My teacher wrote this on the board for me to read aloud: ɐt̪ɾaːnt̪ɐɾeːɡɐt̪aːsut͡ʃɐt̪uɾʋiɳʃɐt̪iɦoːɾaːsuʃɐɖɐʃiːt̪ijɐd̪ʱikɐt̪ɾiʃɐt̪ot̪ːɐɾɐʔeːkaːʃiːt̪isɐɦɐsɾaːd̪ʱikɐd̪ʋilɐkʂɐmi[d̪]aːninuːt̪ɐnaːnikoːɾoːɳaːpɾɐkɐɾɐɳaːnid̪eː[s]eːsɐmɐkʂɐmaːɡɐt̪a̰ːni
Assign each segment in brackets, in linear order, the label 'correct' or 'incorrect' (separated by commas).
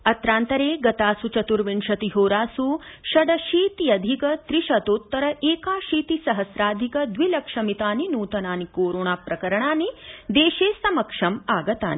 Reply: incorrect, incorrect